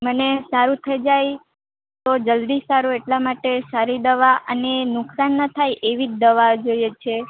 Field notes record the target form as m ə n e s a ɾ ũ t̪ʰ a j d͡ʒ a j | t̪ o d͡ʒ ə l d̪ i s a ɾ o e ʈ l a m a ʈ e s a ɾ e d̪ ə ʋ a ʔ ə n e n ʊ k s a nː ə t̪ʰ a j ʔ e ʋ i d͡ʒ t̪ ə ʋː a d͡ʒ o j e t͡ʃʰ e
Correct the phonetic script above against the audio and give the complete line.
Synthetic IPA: m ə n e s a ɾ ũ t̪ʰ ə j d͡ʒ a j | t̪ o d͡ʒ ə l d̪ i s a ɾ u e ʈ l a m a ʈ e s a ɾ i d̪ ə ʋ a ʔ ə n e n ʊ k s a nː ə t̪ʰ a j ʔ e ʋ i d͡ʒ d̪ ə ʋ a d͡ʒ o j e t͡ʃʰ e